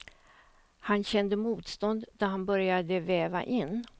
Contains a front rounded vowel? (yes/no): yes